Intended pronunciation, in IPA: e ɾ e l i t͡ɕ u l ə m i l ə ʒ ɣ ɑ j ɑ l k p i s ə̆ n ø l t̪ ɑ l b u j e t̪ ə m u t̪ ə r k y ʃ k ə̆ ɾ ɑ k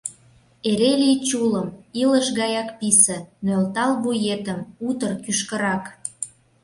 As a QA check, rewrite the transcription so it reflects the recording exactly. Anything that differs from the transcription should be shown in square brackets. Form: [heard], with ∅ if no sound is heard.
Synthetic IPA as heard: e ɾ e l i t͡ɕ u l ə m i l ə [ʃ] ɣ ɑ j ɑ [∅] k p i s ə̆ n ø l t̪ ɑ l [β] u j e t̪ ə m u t̪ ə r k y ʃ k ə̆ ɾ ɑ k